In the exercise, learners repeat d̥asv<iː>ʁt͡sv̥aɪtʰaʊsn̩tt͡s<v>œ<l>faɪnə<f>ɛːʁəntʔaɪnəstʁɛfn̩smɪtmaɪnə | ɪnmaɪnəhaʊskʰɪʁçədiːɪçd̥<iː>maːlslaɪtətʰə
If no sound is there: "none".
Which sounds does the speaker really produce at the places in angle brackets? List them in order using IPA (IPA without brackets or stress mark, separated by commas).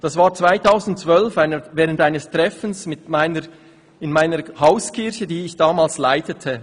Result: aː, v, l, v, aː